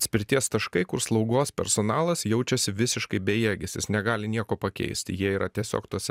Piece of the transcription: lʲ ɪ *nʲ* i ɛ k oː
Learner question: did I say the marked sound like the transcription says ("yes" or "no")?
yes